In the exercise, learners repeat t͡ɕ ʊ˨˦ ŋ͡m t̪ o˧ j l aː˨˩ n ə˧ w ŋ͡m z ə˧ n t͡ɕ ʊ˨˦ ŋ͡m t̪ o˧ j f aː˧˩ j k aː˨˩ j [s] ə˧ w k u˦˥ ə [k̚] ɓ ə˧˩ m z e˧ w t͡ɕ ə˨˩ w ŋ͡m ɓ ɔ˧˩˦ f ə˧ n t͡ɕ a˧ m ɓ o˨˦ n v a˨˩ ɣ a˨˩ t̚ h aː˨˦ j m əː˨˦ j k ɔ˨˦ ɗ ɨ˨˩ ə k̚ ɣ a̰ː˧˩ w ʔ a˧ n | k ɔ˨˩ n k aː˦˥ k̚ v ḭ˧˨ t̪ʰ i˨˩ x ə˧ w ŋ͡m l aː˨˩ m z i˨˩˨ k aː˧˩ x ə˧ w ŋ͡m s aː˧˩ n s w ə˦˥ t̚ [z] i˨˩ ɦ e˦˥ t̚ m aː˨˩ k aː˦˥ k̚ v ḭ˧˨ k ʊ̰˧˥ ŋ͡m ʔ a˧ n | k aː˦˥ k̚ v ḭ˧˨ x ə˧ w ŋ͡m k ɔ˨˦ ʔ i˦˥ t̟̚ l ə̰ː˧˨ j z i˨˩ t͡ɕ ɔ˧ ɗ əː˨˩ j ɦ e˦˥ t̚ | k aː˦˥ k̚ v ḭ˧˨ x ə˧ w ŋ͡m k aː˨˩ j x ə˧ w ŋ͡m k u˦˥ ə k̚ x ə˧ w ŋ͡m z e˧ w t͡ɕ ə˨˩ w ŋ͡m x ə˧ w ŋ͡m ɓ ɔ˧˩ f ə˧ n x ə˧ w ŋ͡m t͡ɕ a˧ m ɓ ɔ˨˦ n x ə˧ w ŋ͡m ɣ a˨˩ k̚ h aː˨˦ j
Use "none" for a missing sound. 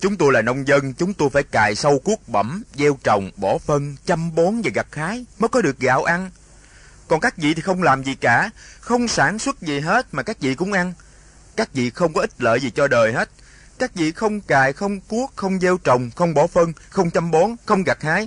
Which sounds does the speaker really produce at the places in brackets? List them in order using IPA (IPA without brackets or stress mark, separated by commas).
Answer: s, k̚, z